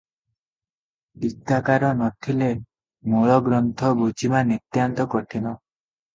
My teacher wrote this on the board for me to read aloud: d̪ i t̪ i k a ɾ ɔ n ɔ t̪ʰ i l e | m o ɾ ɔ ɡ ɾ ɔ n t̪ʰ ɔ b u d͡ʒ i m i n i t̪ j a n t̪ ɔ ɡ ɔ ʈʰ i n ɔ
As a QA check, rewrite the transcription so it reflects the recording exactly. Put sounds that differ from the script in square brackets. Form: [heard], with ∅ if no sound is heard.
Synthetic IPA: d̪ i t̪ [a] k a ɾ ɔ n ɔ t̪ʰ i l e | m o [ɭ] ɔ ɡ ɾ ɔ n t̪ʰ ɔ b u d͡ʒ i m [a] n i t̪ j a n t̪ ɔ [k] ɔ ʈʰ i n ɔ